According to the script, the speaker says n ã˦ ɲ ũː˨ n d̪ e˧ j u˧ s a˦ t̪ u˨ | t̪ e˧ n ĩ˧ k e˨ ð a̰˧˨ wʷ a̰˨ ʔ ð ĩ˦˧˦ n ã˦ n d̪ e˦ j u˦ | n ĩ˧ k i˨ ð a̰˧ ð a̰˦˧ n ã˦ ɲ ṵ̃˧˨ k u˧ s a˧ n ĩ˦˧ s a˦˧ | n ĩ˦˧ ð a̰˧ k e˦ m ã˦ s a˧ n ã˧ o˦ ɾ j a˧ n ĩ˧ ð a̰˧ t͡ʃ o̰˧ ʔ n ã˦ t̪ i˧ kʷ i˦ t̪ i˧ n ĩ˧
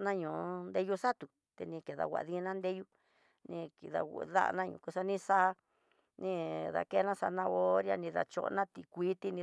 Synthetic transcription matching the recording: n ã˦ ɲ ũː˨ n d̪ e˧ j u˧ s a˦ t̪ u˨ | t̪ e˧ n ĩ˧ k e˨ ð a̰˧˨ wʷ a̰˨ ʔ ð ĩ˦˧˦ n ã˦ n d̪ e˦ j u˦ | n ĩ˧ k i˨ ð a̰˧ ð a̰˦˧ n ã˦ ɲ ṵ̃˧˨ k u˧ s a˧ n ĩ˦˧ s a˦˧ | n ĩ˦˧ ð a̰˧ k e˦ n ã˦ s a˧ n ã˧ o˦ ɾ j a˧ n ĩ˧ ð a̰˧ t͡ʃ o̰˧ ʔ n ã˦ t̪ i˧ kʷ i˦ t̪ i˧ n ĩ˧